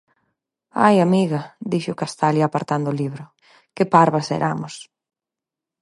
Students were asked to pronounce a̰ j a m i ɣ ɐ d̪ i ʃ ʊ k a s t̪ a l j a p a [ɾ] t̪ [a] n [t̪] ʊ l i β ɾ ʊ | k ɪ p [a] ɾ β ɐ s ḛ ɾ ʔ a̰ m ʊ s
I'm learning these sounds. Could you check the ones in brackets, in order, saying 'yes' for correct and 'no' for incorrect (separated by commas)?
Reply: yes, yes, no, yes